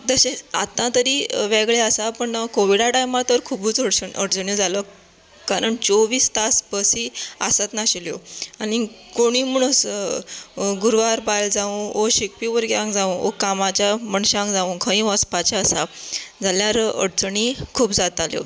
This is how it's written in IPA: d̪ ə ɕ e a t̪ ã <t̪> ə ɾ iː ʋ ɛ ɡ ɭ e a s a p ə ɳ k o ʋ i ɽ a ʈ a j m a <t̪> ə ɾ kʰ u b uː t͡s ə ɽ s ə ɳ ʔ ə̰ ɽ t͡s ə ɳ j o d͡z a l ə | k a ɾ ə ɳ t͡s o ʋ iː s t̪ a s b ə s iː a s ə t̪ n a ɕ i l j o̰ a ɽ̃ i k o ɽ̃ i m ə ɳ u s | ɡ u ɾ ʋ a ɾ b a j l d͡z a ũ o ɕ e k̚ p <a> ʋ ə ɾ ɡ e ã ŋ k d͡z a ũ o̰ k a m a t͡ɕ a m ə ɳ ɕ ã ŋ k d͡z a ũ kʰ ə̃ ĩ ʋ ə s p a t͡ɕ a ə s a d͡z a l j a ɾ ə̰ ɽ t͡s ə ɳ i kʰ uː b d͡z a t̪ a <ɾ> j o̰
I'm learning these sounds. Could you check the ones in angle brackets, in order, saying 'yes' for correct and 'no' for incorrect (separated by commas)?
yes, yes, no, no